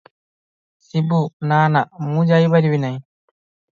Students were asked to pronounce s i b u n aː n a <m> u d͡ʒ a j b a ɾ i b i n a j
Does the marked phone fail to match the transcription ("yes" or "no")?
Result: no